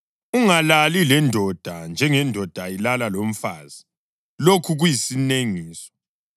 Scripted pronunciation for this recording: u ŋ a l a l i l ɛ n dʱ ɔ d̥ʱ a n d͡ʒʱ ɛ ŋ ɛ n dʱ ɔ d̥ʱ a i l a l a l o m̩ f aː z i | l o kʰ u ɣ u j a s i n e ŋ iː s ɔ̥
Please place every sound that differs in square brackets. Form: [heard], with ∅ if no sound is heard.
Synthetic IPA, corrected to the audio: u ŋ a l a l i l ɛ n dʱ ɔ d̥ʱ a n d͡ʒʱ ɛ ŋ ɛ n dʱ ɔ d̥ʱ a i l a l a l o m̩ f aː z i | l o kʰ u ɣ u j [i] s i n e ŋ iː s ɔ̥